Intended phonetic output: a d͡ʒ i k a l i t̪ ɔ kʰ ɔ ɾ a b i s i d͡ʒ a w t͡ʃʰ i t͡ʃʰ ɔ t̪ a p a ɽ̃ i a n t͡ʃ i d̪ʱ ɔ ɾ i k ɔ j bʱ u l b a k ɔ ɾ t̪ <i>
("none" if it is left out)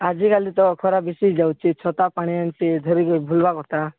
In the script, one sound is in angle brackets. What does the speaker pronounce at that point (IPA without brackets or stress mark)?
a